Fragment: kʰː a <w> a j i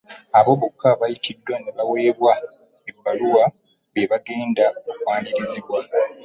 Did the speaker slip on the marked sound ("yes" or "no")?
yes